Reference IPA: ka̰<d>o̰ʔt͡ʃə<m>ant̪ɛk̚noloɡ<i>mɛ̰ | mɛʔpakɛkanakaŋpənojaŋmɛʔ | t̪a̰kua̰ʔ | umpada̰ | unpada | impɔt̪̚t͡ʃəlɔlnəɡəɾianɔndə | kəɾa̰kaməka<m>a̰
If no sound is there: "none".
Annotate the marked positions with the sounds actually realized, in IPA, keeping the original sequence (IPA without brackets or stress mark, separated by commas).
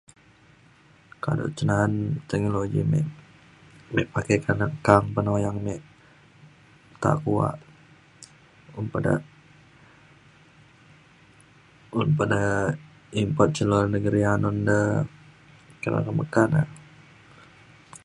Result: d, n, i, n